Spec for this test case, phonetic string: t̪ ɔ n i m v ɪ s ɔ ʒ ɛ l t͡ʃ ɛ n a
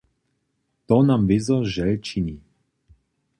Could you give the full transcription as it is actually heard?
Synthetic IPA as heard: t̪ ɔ n a m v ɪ z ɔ ʒ ɛ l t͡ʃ i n i